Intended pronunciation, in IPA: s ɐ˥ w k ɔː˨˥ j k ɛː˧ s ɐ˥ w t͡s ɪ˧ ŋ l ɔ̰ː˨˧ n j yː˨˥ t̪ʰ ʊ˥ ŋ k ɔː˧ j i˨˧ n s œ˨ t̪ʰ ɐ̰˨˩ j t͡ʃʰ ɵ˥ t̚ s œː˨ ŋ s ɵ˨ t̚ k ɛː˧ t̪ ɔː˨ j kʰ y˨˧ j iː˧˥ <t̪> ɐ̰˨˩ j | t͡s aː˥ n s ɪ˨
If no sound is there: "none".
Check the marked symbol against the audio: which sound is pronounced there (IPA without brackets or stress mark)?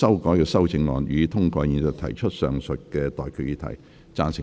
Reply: t̪ʰ